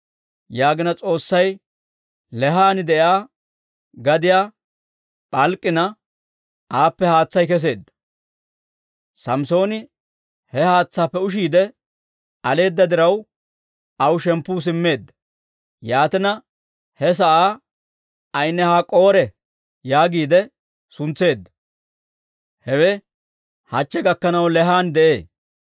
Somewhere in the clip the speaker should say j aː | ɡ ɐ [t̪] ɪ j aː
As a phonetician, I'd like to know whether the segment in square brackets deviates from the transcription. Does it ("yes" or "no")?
yes